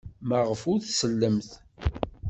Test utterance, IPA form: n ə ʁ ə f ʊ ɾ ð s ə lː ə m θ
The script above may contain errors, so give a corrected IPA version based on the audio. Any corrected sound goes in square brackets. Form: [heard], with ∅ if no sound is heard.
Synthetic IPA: [m] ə ʁ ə f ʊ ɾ [θ] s ə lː ə m θ